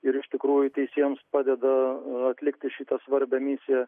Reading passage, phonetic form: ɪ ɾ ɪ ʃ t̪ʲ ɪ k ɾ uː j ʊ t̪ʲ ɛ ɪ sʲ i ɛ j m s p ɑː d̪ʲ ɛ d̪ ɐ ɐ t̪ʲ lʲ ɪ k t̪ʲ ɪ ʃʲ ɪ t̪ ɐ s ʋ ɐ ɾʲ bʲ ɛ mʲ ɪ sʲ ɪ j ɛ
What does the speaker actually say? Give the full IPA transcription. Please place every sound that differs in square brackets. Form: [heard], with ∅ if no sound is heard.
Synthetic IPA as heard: ɪ ɾ ɪ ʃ t̪ʲ ɪ k ɾ uː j ʊ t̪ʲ ɛ ɪ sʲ i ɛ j m s p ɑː d̪ʲ ɛ d̪ ɐ ɐ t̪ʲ lʲ ɪ k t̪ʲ ɪ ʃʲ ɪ t̪ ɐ s ʋ ɐ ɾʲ bʲ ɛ mʲ ɪ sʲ ɪ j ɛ